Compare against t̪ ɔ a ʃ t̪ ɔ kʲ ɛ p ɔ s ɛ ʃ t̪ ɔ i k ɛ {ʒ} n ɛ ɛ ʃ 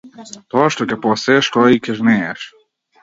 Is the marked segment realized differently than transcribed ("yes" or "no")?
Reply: no